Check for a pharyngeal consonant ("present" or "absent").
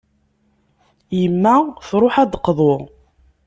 present